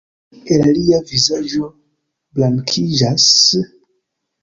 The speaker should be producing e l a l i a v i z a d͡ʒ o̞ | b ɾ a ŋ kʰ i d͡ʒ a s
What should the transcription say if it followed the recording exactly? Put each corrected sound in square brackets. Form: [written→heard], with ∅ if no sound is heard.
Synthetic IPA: e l a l i a v i z a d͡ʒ o̞ | b [ɾ→l] a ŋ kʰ i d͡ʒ a s